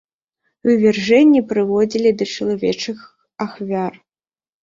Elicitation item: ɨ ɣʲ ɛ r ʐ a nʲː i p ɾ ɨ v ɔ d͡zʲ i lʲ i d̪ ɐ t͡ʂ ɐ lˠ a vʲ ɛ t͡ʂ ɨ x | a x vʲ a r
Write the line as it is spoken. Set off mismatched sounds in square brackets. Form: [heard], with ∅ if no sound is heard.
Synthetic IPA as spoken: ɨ [vʲ] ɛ r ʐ [ɛ] nʲː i p ɾ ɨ v ɔ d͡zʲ i lʲ i d̪ ɐ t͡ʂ ɐ lˠ a vʲ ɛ t͡ʂ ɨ x | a x vʲ a r